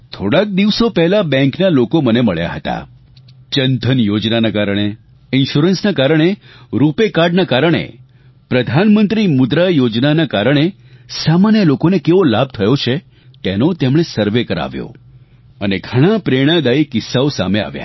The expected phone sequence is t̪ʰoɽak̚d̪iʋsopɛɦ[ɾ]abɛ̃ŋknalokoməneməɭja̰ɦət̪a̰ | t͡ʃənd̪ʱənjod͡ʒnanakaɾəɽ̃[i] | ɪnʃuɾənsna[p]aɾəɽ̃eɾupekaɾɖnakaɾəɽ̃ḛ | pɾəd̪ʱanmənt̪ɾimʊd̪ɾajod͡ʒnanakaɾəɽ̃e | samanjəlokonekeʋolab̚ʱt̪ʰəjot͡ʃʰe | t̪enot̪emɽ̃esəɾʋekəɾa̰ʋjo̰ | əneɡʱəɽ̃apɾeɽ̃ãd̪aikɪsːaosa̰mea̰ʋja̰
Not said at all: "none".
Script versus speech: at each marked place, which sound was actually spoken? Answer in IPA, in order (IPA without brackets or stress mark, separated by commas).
l, e, k